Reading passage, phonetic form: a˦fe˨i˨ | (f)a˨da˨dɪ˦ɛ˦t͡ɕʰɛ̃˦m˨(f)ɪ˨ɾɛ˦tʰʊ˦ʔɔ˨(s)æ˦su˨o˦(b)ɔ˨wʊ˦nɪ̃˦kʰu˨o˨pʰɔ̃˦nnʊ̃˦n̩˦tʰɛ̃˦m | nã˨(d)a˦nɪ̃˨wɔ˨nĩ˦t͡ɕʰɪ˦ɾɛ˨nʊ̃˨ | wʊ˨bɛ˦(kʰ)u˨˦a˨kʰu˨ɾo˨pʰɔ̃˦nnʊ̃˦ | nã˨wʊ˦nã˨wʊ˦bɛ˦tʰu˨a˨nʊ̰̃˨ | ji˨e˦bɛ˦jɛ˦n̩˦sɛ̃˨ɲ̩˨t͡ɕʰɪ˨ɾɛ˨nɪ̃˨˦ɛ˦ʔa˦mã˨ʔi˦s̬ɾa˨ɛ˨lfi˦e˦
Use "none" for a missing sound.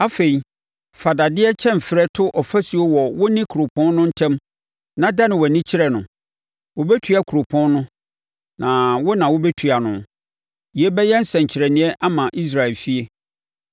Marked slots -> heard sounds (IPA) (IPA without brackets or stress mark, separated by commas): f, f, f, w, d, tʰ